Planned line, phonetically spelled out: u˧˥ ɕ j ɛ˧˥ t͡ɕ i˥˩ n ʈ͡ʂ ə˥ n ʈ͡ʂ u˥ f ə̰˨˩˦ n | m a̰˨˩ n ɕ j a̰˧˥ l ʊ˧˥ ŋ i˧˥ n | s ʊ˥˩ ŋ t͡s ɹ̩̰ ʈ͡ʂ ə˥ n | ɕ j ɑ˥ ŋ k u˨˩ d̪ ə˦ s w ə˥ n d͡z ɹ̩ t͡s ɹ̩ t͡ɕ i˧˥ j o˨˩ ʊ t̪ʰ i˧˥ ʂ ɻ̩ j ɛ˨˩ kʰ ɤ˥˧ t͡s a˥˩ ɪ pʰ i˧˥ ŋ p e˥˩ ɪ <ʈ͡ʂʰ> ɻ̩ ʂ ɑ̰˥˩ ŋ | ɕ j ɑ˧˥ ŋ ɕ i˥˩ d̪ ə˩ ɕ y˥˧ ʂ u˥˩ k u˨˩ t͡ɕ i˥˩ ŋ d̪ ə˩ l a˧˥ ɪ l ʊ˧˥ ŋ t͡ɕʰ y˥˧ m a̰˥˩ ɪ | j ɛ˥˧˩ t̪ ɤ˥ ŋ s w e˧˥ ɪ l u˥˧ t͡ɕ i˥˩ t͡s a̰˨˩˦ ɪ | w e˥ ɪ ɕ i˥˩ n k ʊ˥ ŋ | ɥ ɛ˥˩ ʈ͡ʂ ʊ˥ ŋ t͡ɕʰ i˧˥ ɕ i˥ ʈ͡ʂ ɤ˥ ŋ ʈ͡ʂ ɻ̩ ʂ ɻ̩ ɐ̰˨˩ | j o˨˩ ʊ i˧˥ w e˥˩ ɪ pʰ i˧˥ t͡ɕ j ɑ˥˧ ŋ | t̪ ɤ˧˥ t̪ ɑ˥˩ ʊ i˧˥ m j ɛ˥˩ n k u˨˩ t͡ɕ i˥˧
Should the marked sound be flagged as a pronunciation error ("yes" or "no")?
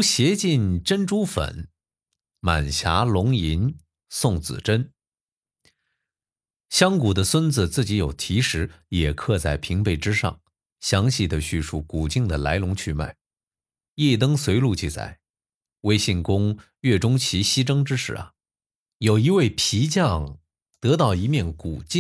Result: yes